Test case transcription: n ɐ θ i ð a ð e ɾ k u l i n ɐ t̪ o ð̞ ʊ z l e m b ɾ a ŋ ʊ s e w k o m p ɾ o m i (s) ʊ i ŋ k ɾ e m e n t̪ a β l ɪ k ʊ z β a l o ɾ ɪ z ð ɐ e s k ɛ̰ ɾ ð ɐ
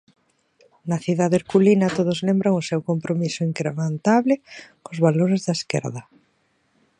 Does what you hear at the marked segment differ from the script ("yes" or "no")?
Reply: no